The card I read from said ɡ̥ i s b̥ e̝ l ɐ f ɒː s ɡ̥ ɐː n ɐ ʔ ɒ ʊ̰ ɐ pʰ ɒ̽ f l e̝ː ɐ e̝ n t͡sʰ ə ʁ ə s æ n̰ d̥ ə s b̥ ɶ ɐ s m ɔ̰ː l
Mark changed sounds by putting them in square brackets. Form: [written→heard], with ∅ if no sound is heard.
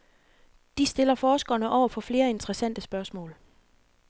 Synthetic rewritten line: [ɡ̥→d̥] i s [b̥→d̥] e̝ l ɐ f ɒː s ɡ̥ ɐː n [ɐ→ə] ʔ ɒ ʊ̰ ɐ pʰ ɒ̽ f l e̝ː ɐ e̝ n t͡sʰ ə ʁ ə s æ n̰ d̥ ə s b̥ ɶ ɐ s m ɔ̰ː l